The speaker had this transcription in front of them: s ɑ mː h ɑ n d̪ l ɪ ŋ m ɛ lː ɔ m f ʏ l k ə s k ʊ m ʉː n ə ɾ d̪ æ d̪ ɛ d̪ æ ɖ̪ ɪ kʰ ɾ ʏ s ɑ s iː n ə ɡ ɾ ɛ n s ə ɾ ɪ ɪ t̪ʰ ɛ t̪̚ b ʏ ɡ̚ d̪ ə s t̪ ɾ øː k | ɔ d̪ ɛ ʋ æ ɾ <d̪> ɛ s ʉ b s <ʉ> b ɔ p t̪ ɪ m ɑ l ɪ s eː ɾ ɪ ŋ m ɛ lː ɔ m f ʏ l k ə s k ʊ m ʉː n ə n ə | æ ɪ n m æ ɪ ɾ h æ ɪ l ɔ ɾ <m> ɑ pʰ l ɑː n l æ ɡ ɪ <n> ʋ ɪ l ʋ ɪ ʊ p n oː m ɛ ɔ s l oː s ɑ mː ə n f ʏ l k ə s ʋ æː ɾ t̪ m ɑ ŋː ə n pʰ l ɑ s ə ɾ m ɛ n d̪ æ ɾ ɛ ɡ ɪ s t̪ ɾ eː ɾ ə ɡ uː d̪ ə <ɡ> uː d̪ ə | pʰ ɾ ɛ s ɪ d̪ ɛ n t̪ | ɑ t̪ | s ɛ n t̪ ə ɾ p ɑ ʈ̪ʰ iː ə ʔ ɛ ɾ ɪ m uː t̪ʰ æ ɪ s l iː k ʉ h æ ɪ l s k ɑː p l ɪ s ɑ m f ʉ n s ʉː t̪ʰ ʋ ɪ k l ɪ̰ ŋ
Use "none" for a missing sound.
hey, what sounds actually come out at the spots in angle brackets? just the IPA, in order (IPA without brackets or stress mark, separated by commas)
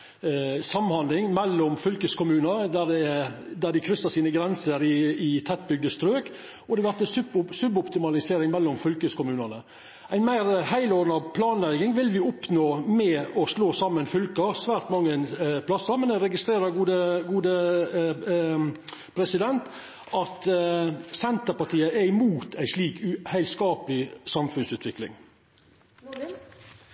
t̪, ʉ, n, ŋ, ɡ